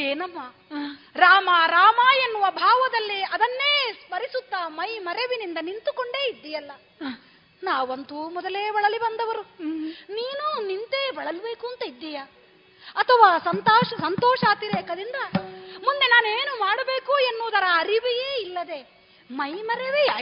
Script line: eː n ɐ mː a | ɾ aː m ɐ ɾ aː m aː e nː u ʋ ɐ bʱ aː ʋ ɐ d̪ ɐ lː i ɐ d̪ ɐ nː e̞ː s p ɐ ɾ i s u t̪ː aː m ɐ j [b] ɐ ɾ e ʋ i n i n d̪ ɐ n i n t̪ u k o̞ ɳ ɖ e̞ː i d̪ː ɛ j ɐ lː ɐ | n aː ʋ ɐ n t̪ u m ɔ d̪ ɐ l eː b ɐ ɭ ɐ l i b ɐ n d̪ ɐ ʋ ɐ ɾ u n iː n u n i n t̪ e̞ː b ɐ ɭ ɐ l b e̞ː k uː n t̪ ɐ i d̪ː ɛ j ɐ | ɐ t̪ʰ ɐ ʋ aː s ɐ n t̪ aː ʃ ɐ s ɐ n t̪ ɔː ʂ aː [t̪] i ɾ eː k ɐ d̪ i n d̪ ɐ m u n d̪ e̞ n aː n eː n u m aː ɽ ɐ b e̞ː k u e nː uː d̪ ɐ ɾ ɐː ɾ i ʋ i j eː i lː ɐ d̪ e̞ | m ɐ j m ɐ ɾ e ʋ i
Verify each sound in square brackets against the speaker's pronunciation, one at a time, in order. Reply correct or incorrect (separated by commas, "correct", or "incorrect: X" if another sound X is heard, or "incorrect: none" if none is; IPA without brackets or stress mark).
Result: incorrect: m, correct